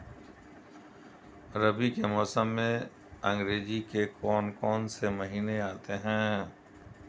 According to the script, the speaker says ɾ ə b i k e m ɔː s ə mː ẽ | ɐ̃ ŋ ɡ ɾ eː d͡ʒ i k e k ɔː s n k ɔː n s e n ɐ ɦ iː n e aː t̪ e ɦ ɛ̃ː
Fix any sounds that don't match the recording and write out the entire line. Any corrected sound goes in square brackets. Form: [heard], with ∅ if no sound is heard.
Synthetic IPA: ɾ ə b i k e m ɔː s ə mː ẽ | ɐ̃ ŋ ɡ ɾ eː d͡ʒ i k e k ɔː [∅] n k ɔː n s e [m] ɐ ɦ iː n e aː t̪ e ɦ ɛ̃ː

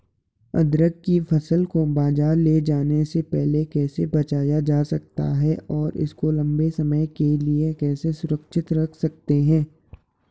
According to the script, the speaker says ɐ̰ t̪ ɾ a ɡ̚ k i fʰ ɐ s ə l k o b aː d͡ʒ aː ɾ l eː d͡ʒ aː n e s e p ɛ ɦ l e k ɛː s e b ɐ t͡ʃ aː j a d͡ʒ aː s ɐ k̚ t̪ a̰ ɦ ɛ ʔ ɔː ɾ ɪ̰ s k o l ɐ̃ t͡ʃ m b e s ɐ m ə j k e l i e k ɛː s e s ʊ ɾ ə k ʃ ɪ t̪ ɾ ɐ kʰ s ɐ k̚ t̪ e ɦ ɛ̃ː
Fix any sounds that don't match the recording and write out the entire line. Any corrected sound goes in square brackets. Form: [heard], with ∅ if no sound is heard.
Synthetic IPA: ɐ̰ [d̪] ɾ [ə] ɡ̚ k i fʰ ɐ s ə l k o b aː d͡ʒ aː ɾ l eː d͡ʒ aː n e s e p ɛ ɦ l e k ɛː s e b ɐ t͡ʃ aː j a d͡ʒ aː s ɐ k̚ t̪ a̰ ɦ ɛ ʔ ɔː ɾ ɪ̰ s k o l ɐ̃ [∅] m b e s ɐ m ə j k e l i e k ɛː s e s ʊ ɾ ə k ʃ ɪ t̪ ɾ ɐ kʰ s ɐ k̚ t̪ e ɦ ɛ̃ː

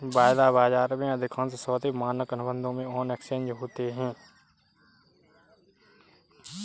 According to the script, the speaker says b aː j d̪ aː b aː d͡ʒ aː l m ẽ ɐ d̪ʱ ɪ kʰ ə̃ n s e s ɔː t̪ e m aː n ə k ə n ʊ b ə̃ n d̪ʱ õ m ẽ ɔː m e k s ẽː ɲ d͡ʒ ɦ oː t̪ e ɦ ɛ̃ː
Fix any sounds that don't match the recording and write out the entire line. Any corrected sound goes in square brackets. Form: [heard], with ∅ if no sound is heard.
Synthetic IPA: b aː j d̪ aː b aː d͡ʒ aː [ɾ] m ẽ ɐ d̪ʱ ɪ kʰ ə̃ n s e s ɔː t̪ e m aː n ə k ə n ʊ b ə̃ n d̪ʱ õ m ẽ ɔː [n] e k s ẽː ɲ d͡ʒ ɦ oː t̪ e ɦ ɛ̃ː

